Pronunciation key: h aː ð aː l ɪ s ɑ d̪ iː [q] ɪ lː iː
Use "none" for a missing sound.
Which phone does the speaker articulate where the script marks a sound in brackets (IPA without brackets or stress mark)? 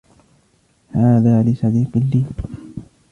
q